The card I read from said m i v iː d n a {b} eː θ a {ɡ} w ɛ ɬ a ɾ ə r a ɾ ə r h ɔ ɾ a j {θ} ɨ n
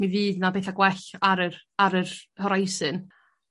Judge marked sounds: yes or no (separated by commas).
yes, yes, no